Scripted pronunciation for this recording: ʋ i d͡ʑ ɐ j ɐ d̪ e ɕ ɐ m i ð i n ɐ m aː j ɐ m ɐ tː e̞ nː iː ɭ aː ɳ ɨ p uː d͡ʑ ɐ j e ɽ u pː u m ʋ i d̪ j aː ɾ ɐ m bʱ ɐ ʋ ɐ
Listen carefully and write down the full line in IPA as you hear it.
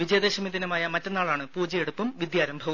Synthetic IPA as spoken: ʋ i d͡ʑ ɐ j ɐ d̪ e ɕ ɐ m i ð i n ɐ m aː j ɐ m ɐ tː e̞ nː aː ɭ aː ɳ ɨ p uː d͡ʑ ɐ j e ɽ u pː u m ʋ i d̪ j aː ɾ ɐ m bʱ ɐ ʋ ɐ